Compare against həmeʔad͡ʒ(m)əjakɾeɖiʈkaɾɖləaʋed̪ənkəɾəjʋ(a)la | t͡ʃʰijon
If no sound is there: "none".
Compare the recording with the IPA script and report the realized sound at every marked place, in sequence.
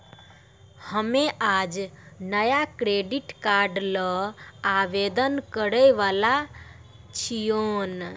n, a

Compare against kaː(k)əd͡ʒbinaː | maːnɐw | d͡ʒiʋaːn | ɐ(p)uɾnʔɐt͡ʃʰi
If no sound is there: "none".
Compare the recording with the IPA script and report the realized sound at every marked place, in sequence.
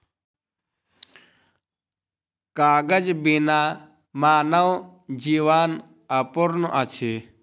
ɡ, p

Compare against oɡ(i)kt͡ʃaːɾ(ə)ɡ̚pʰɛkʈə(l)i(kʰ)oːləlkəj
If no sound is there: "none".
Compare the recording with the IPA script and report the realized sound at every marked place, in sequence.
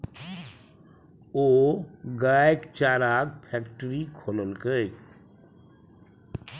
a, a, ɾ, kʰ

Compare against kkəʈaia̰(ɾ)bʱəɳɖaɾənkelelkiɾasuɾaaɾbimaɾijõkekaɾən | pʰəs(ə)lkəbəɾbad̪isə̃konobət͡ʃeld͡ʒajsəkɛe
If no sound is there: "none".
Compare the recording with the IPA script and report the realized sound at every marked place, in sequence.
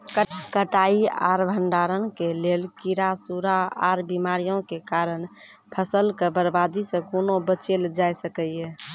ɾ, ə

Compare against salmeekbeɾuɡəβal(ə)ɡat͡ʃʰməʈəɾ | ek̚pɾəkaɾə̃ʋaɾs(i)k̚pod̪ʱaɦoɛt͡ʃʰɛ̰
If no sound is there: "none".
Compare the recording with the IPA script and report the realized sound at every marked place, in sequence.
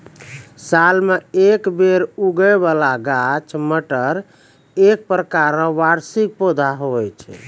a, i

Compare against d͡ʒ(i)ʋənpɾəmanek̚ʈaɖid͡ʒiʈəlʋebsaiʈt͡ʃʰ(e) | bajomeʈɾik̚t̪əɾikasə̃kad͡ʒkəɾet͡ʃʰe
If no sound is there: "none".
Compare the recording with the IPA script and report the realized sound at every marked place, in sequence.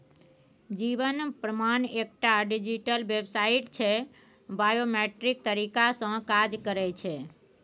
i, e

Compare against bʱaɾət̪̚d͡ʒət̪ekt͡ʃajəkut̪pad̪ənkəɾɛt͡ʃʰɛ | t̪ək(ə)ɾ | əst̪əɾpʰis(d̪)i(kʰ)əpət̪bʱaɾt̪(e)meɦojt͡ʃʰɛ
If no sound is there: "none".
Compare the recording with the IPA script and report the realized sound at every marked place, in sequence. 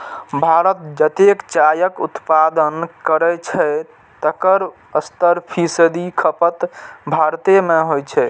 ə, d̪, kʰ, e

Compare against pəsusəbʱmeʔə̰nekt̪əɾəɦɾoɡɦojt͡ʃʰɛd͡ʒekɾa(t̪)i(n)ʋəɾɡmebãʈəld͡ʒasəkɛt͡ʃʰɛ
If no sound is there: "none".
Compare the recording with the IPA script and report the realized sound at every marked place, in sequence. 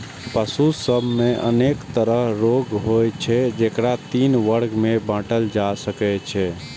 t̪, n

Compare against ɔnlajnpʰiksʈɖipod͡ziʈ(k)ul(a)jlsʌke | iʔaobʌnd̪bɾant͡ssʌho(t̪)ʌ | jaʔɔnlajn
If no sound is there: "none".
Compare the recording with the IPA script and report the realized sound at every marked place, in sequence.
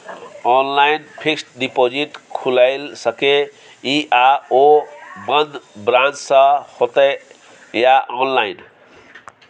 kʰ, a, t̪

